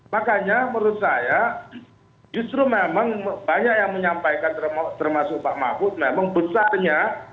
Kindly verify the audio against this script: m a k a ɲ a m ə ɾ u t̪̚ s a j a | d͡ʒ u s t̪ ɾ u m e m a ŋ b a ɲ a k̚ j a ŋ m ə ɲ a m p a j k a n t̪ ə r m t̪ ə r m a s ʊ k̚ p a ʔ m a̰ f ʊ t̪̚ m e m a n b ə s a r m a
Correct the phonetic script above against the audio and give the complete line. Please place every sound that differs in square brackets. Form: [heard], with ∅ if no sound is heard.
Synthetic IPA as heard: m a k a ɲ a m ə ɾ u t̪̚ s a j a | d͡ʒ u s t̪ ɾ u m e m a ŋ b a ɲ a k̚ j a ŋ m ə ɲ a m p a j k a n t̪ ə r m t̪ ə r m a s ʊ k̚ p a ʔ m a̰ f ʊ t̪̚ m e m a [ŋ] b ə s a r [ɲ] a